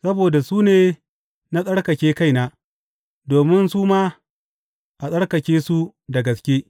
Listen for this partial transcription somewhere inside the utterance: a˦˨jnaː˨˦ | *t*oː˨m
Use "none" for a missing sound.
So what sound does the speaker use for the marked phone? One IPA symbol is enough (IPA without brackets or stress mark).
d